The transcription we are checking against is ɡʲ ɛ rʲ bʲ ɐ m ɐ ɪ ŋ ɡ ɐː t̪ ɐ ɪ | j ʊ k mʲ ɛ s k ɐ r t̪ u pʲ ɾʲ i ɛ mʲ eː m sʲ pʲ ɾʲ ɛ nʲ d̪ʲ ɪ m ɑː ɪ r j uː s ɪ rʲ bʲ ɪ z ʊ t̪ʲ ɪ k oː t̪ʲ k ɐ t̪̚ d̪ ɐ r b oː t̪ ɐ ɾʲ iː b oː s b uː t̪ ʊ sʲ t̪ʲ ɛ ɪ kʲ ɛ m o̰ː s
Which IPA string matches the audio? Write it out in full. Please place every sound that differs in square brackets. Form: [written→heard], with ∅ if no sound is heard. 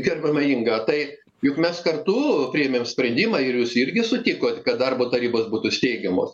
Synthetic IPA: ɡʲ ɛ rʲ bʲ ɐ m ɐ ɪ ŋ ɡ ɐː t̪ ɐ ɪ | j ʊ k mʲ ɛ s k ɐ r t̪ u pʲ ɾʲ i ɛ mʲ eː m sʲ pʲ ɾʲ ɛ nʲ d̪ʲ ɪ m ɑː ɪ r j uː s ɪ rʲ [bʲ→ɡʲ] ɪ [z→s] ʊ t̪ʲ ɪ k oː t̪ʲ k ɐ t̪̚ d̪ ɐ r b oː t̪ ɐ ɾʲ iː b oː s b uː t̪ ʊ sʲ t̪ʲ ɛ ɪ [kʲ→ɡʲ] ɛ m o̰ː s